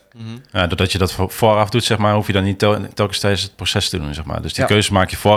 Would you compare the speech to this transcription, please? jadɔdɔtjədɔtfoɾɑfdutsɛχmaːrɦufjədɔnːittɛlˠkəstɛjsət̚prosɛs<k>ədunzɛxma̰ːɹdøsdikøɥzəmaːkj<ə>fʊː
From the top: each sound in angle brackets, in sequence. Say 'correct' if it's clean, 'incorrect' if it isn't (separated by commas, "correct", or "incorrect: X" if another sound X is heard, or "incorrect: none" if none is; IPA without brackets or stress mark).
incorrect: t, correct